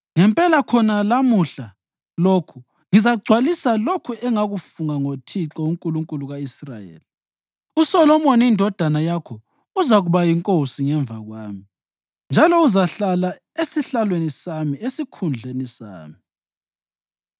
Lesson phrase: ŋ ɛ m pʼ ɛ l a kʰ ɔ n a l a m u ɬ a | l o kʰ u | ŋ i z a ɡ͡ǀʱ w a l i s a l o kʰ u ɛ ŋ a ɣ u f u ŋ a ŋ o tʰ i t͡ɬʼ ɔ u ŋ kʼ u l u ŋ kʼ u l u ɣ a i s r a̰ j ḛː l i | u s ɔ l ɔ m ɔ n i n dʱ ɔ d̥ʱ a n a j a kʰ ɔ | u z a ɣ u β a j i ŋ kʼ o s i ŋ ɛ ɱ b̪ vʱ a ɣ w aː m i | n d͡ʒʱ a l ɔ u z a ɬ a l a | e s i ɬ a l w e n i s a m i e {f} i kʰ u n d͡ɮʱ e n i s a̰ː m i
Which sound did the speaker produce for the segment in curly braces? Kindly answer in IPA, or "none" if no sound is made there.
s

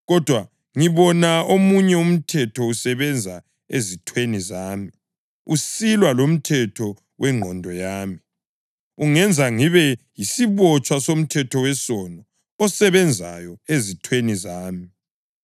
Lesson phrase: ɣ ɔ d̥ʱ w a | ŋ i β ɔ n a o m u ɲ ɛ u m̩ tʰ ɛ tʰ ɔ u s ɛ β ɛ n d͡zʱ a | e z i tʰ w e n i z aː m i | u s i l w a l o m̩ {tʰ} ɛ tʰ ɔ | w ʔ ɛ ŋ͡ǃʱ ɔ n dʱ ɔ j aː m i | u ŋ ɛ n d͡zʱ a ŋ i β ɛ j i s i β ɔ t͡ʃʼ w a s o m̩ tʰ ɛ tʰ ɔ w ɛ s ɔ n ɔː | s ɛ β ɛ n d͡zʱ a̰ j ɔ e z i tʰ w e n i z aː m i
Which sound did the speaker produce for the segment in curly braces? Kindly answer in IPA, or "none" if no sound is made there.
tʰ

